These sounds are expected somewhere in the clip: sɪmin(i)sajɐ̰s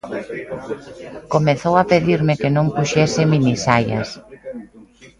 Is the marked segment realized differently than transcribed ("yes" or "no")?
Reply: no